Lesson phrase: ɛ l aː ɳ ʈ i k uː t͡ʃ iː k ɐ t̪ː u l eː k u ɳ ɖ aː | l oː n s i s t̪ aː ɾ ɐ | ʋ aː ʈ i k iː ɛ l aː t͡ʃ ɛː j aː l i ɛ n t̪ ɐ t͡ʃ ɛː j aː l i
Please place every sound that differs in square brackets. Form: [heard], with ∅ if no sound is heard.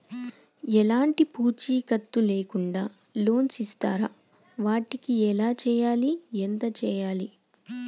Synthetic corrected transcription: ɛ l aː ɳ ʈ i [p] uː t͡ʃ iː k ɐ t̪ː u l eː k u ɳ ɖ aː | l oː n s i s t̪ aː ɾ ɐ | ʋ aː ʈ i k [i] ɛ l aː t͡ʃ ɛː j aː l i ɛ n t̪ ɐ t͡ʃ ɛː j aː l i